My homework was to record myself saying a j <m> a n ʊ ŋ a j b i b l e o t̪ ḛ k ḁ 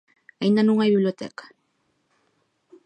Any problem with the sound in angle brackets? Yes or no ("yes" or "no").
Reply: yes